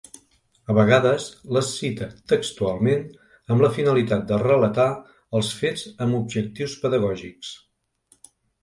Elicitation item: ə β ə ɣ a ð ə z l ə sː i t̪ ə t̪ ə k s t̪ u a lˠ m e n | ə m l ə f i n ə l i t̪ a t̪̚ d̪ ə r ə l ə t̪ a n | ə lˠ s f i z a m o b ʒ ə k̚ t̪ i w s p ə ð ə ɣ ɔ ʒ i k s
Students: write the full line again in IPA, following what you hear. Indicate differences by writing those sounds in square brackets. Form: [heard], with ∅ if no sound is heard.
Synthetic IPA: ə β ə ɣ a ð ə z l ə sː i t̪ ə t̪ ə k s t̪ u a lˠ m e n | ə m l ə f i n ə l i t̪ a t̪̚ d̪ ə r ə l ə t̪ a [∅] | ə lˠ s f [e] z [ə] m [u] b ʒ ə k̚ t̪ i w s p ə ð ə ɣ ɔ ʒ i k s